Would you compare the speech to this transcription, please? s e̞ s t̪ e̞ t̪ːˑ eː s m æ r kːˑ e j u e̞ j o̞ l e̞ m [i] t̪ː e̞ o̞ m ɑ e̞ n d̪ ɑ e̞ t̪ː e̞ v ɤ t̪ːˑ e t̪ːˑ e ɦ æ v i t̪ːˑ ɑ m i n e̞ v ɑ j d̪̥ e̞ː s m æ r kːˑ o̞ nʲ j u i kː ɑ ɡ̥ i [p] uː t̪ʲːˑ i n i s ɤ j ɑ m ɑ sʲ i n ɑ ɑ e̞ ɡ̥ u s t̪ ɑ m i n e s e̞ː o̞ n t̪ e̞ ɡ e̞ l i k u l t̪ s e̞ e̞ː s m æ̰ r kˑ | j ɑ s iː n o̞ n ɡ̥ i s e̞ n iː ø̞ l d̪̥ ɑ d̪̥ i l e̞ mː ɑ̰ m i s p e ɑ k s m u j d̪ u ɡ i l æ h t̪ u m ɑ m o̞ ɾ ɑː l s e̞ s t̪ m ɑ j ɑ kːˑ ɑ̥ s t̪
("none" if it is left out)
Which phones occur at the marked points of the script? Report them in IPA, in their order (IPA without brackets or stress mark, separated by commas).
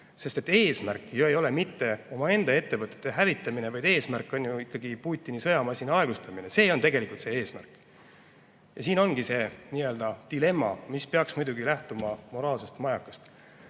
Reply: i, p